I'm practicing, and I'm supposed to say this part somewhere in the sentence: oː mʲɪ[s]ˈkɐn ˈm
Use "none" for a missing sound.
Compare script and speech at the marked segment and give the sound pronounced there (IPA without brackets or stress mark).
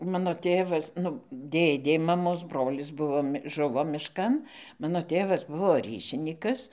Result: ʃ